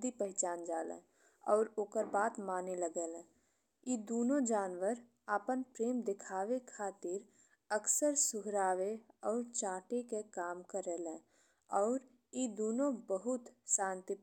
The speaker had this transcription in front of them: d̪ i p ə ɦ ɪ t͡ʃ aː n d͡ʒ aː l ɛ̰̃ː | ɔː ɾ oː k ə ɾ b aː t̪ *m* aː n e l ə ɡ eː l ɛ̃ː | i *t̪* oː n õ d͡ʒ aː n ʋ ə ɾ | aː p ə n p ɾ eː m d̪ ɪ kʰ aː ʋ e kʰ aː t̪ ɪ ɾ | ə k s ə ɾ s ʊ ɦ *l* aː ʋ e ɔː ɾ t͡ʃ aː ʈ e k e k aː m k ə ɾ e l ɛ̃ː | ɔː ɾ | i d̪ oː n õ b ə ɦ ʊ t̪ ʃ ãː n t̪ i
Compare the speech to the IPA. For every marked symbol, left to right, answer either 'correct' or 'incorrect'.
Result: correct, incorrect, incorrect

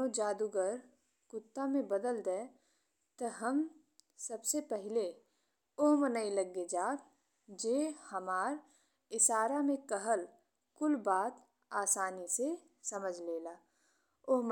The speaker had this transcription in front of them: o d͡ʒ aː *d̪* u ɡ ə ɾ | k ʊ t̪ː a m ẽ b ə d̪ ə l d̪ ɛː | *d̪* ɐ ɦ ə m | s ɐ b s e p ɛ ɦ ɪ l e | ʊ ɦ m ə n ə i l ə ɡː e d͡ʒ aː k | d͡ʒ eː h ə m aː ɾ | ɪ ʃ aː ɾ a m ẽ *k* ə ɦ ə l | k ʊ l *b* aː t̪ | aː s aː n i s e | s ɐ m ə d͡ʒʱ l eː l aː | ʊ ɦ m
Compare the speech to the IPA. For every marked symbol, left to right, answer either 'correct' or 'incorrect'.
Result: correct, incorrect, correct, correct

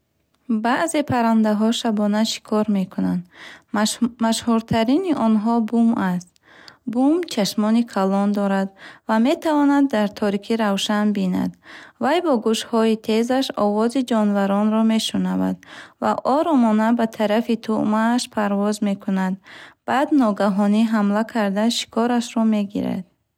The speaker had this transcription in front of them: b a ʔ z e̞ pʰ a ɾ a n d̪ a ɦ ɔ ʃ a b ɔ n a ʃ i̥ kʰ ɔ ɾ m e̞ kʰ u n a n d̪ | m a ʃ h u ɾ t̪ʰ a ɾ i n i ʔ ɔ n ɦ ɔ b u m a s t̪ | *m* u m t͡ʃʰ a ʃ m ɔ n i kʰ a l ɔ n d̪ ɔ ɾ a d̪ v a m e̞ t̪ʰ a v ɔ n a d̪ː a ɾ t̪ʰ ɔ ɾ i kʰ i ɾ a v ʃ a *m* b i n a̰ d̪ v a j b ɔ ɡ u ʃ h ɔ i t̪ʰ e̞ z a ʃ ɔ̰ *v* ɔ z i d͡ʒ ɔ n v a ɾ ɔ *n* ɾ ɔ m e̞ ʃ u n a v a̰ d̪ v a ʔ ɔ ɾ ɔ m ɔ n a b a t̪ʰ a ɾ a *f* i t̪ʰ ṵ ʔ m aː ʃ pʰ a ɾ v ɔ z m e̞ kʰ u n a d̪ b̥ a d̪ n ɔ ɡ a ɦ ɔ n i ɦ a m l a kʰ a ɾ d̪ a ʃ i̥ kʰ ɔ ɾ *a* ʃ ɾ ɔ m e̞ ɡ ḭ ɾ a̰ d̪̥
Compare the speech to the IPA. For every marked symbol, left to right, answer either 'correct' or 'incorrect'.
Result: incorrect, incorrect, correct, correct, correct, correct

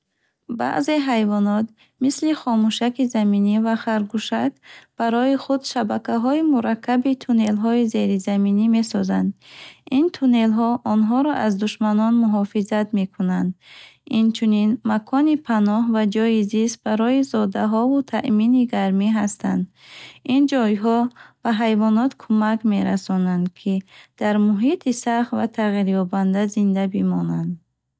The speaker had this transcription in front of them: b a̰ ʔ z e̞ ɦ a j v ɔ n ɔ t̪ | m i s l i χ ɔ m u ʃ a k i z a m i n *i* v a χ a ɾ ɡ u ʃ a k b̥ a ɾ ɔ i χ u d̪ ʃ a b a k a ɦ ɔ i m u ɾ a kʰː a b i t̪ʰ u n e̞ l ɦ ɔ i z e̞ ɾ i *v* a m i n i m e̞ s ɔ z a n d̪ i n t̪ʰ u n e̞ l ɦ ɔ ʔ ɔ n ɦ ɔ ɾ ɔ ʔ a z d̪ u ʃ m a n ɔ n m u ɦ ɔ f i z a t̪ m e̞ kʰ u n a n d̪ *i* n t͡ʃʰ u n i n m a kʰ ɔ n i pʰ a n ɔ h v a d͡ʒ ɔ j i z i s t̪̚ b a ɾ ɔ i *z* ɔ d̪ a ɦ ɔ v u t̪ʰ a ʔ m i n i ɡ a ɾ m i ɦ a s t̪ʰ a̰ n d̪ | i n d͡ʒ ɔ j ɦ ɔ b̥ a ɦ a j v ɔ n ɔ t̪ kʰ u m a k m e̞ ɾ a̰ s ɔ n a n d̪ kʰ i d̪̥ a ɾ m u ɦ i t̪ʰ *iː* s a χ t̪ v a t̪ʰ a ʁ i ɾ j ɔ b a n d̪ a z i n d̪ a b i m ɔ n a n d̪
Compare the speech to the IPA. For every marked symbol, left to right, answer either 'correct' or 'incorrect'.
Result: correct, incorrect, correct, correct, incorrect

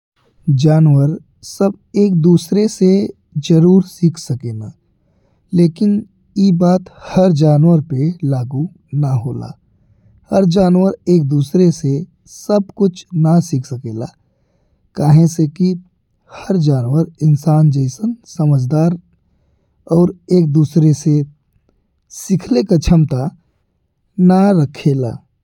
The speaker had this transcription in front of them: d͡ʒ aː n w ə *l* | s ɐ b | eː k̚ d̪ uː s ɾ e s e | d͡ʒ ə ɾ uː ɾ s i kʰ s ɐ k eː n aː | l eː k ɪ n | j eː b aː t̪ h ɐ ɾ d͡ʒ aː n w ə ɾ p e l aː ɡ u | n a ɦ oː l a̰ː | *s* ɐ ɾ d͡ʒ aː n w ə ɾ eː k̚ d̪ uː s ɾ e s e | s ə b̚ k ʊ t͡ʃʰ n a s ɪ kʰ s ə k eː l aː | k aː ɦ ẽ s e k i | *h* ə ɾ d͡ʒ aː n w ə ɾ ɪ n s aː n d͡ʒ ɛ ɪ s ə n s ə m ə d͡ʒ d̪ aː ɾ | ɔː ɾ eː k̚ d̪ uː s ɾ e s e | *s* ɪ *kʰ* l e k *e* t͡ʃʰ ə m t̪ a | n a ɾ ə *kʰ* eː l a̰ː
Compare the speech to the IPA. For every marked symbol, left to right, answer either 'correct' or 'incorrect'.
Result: incorrect, incorrect, correct, correct, correct, incorrect, correct

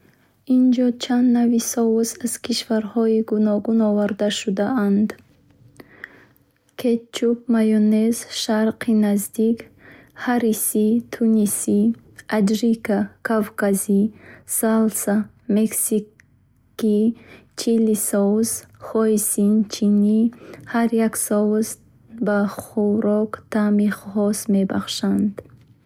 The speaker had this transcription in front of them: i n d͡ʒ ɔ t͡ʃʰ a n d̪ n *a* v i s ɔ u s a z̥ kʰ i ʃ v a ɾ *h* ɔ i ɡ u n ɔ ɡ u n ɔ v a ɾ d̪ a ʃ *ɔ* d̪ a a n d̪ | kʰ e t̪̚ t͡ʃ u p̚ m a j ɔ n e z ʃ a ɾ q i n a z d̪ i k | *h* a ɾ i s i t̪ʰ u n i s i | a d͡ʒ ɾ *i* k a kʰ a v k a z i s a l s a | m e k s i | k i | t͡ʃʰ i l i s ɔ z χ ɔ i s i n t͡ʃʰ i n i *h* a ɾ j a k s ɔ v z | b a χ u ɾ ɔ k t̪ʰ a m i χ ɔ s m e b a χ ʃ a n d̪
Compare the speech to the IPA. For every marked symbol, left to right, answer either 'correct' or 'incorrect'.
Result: correct, correct, incorrect, correct, correct, correct

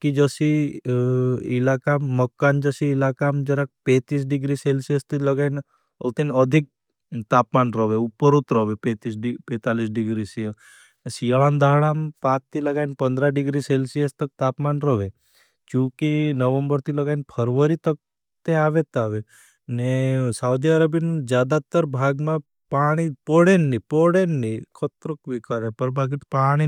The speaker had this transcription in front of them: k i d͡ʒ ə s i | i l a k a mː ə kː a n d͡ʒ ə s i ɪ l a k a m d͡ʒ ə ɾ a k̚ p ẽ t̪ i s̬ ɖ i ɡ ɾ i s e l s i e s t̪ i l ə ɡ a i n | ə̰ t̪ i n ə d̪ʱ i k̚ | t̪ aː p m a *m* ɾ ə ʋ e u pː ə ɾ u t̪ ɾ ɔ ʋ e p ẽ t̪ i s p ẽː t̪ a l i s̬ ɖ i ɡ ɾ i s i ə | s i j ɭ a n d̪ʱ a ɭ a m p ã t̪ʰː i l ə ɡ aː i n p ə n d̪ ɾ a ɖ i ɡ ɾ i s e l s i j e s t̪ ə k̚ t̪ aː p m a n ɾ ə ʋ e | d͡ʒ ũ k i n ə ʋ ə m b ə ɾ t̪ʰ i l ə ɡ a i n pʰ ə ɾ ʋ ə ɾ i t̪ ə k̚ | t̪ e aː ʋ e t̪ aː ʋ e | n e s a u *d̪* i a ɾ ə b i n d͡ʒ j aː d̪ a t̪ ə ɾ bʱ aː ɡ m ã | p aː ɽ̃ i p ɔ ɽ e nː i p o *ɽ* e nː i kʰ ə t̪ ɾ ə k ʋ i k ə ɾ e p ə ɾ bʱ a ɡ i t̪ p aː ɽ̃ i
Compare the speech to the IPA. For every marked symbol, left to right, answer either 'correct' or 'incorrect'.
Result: incorrect, correct, correct

